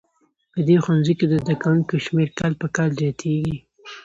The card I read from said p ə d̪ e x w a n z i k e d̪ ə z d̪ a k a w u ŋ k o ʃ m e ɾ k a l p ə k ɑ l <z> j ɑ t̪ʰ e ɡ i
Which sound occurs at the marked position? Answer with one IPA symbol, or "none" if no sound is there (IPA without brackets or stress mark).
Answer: z